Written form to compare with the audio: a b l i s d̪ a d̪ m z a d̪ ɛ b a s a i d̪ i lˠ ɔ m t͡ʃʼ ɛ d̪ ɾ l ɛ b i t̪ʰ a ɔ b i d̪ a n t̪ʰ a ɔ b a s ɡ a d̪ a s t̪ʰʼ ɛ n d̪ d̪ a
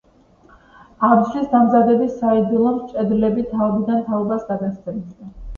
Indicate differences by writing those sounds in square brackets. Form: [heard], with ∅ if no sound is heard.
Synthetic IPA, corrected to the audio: a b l i s d̪ a [∅] m z a d̪ ɛ b [i] s a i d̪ i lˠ ɔ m t͡ʃʼ ɛ d̪ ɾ l ɛ b i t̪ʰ a ɔ b i d̪ a n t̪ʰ a ɔ b a s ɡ a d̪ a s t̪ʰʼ ɛ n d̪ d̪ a